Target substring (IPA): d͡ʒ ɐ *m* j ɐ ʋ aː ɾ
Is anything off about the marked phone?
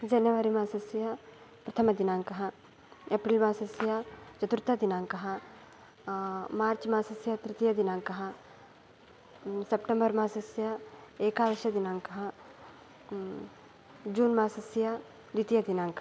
yes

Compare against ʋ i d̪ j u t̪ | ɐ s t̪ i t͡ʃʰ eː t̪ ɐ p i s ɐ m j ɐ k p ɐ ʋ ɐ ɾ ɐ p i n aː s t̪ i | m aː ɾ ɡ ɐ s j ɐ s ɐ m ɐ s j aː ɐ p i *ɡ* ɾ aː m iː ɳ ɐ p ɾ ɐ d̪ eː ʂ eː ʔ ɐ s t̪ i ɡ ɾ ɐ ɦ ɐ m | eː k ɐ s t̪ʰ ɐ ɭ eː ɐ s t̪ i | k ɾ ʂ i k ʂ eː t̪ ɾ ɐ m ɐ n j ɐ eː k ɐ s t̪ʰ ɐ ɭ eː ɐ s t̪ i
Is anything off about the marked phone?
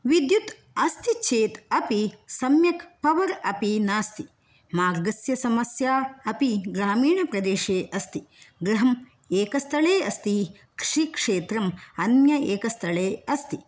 no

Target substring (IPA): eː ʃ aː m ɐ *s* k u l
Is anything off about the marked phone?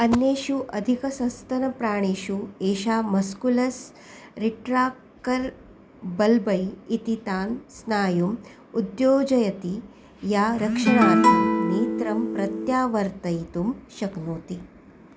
no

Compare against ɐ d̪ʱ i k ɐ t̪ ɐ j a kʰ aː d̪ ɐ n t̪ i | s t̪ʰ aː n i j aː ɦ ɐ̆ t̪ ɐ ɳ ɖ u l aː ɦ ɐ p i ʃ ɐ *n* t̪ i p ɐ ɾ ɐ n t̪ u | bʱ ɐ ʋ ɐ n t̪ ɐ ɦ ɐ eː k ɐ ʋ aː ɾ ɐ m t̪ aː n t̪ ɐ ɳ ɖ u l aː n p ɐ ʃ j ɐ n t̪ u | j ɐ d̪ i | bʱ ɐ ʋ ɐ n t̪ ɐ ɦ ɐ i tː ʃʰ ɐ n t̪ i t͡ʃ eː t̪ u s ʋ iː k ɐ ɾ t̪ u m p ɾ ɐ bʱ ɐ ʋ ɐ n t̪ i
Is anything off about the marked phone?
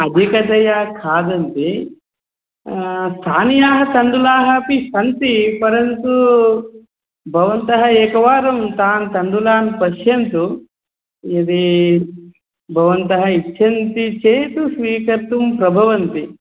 no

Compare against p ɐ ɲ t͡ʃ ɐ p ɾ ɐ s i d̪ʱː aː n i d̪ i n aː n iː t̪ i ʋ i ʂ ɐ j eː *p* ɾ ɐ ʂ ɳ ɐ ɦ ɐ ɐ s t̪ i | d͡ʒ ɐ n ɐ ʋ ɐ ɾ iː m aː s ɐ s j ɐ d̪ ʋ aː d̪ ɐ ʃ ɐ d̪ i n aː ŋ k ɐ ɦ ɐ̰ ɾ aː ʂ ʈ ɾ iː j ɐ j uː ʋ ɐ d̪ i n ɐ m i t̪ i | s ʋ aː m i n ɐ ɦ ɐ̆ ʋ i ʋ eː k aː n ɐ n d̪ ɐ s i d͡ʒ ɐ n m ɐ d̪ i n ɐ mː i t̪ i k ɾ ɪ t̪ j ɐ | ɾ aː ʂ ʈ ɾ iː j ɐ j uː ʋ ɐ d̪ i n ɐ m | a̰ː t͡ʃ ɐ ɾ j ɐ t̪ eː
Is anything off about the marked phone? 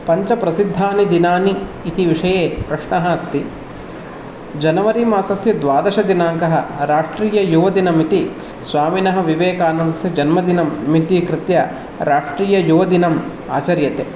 no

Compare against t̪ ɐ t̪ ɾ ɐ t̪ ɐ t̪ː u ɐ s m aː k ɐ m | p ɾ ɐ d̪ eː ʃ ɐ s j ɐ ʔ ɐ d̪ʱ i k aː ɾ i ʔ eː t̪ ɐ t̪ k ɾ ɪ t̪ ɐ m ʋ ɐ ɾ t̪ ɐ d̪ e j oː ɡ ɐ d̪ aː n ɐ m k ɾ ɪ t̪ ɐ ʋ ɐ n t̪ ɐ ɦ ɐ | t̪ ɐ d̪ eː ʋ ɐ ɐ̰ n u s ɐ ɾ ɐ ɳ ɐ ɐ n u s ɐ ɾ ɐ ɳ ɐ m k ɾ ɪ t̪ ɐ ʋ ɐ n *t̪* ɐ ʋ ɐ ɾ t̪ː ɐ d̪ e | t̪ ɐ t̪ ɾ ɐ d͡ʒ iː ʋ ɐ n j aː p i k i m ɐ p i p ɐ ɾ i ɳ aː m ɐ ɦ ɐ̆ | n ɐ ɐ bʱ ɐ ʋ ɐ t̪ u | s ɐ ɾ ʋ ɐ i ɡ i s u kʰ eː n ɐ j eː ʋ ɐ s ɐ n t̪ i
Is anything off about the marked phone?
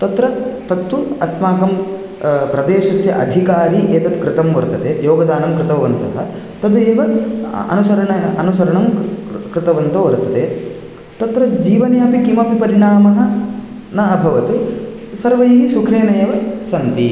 no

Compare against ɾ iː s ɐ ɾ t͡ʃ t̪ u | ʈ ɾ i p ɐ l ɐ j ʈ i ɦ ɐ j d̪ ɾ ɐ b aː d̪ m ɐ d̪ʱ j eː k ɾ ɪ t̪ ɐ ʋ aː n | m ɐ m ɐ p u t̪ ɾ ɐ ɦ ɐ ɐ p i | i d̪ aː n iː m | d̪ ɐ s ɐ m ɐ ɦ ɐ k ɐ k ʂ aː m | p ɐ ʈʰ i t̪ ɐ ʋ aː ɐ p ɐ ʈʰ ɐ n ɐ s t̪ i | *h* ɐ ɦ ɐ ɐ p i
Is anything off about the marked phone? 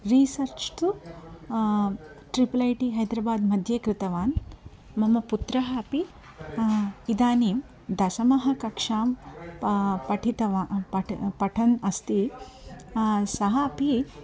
yes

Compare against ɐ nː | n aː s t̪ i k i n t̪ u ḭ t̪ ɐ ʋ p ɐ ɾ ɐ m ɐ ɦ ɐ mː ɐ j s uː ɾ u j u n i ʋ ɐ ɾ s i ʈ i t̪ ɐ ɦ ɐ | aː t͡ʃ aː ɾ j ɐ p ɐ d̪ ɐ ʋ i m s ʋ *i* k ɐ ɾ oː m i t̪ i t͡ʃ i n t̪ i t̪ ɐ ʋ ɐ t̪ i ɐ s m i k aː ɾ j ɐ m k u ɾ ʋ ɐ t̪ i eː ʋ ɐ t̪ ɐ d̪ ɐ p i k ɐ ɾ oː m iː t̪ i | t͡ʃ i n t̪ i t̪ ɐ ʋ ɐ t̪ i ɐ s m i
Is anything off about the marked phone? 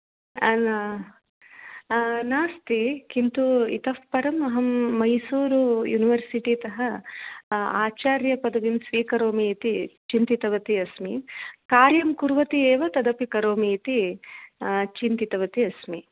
yes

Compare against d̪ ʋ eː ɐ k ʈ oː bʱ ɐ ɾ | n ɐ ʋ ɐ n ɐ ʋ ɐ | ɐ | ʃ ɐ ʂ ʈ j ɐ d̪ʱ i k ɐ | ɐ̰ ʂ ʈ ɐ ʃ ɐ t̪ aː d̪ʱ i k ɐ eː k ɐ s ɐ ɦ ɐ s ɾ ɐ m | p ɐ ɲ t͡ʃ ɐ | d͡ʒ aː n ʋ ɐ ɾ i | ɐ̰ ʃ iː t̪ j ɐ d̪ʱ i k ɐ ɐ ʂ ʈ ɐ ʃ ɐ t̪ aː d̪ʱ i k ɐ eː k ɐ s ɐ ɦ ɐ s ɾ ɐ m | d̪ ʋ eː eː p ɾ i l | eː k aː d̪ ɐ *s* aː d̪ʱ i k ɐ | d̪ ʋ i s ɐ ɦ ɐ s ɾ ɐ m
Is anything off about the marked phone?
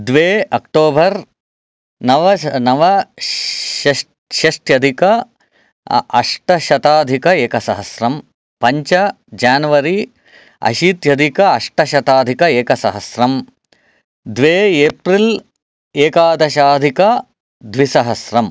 yes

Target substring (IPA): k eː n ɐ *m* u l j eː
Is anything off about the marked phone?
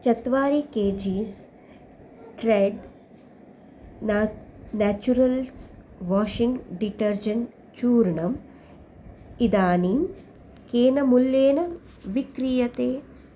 no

